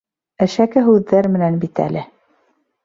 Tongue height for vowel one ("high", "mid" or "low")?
low